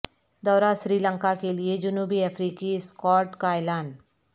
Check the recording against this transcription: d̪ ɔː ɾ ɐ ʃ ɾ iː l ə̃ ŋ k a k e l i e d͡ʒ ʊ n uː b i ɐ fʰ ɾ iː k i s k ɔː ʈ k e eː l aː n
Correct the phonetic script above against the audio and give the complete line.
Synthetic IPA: d̪ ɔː ɾ a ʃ ɾ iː l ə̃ ŋ k a k e l i e d͡ʒ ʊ n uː b i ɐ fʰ ɾ iː k i s k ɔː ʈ k a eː l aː n

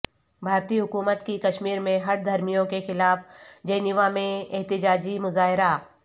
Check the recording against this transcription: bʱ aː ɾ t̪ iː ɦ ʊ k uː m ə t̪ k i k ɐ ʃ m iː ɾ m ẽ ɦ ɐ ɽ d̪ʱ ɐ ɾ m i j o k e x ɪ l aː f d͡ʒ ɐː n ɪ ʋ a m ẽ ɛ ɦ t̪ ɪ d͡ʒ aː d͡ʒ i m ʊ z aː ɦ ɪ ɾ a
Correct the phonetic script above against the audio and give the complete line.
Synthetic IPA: bʱ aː ɾ t̪ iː ɦ ʊ k uː m ə t̪ k i k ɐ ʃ m iː ɾ m ẽ ɦ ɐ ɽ d̪ʱ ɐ ɾ m i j õ k e x ɪ l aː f d͡ʒ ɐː n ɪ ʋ a m ẽ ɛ ɦ t̪ ɪ d͡ʒ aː d͡ʒ i m ʊ z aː ɦ ɪ ɾ a

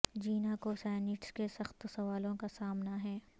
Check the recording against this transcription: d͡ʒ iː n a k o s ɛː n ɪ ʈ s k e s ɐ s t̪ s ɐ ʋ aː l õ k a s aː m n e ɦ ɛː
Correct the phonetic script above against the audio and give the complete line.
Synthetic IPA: d͡ʒ iː n a k o s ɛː n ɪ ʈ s k e s ɐ x t̪ s ɐ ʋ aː l õ k a s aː m n a ɦ ɛː

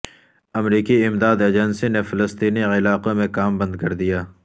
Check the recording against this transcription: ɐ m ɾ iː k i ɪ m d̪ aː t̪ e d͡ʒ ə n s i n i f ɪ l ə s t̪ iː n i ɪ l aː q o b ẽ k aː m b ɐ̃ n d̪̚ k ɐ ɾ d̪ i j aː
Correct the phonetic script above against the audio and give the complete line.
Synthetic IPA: ɐ m ɾ iː k i ɪ m d̪ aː d̪ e d͡ʒ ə n s i n e f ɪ l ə s t̪ iː n i ɪ l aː q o m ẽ k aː m b ɐ̃ n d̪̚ k ɐ ɾ d̪ i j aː

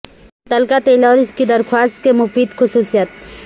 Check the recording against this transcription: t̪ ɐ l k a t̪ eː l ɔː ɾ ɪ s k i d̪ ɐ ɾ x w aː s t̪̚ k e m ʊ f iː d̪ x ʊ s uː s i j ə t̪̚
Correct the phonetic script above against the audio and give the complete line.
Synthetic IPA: t̪ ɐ l k a t̪ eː l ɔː ɾ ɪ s k i d̪ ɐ ɾ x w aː s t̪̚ k e m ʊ f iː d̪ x ʊ s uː s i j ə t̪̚

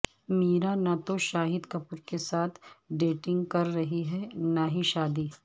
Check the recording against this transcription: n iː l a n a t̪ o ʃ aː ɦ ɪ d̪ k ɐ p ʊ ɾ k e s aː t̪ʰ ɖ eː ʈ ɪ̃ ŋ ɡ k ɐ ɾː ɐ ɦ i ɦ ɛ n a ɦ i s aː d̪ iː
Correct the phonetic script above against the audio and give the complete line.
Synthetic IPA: m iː ɾ a n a t̪ o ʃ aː ɦ ɪ d̪ k ɐ p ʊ ɾ k e s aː t̪ʰ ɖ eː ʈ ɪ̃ ŋ ɡ k ɐ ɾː ɐ ɦ i ɦ ɛ n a ɦ i ʃ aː d̪ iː

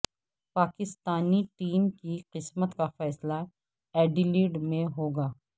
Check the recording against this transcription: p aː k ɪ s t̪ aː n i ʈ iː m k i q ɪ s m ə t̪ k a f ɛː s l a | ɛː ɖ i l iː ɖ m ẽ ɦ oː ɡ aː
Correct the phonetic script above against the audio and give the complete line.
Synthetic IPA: p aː k ɪ s t̪ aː n i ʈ iː m k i q ɪ s m ə t̪ k a f ɛː s l a | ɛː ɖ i l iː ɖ m ẽ ɦ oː ɡ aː

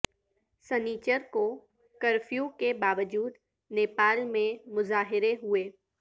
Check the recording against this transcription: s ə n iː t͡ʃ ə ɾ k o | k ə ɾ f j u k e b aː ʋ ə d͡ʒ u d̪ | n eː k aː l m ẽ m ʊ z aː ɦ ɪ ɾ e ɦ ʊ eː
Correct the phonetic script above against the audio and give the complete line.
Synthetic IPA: s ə n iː t͡ʃ ə ɾ k o | k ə ɾ f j u k e b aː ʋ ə d͡ʒ uː d̪ | n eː p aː l m ẽ m ʊ z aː ɦ ɪ ɾ e ɦ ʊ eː

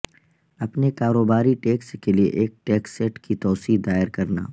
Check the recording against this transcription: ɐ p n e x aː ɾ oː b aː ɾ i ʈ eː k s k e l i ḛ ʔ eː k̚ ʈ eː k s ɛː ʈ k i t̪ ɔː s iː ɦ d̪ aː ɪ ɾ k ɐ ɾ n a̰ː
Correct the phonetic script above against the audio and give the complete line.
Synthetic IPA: ɐ p n e k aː ɾ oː b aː ɾ i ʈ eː k s k e l i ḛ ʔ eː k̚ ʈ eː k s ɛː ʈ k i t̪ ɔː s iː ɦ d̪ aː ɪ ɾ k ɐ ɾ n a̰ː

